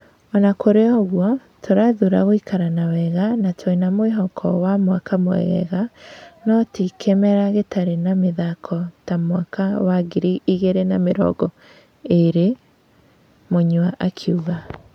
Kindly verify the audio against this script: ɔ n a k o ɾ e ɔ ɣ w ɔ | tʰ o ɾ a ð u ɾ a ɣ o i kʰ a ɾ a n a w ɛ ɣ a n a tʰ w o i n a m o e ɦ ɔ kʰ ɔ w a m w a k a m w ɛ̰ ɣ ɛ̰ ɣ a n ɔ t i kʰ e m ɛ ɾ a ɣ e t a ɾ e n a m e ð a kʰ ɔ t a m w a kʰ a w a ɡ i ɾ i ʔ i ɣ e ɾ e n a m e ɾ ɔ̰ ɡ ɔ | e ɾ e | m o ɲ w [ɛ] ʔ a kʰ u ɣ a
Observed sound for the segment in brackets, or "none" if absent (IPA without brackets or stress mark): a